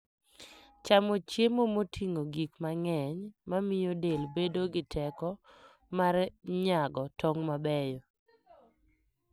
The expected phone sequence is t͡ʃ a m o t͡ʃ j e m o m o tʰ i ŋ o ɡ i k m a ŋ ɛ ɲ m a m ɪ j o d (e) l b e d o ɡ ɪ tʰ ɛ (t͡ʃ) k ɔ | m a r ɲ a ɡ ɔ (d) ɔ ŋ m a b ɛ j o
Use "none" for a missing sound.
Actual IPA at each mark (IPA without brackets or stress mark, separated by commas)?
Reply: e, none, t